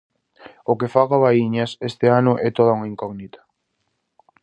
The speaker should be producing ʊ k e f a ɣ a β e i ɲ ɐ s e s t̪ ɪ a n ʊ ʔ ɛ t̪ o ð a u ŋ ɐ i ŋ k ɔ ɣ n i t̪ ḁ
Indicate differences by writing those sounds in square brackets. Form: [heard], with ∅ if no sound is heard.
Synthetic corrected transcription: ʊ k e f a ɣ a β [a] i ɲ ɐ s e s t̪ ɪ a n ʊ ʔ ɛ t̪ o ð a u ŋ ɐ i ŋ k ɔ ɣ n i t̪ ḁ